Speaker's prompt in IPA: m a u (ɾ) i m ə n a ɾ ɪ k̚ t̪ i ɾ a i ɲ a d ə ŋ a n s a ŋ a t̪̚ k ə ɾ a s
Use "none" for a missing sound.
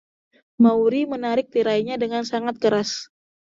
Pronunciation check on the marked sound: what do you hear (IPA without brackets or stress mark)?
ɾ